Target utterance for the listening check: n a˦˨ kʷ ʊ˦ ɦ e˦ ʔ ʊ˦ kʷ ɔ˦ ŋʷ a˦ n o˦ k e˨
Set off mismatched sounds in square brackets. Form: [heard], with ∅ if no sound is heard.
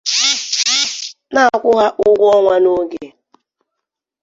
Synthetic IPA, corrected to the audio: n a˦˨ kʷ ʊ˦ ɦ [a˦] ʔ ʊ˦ [ɡʷ] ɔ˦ ŋʷ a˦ n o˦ [ɡ] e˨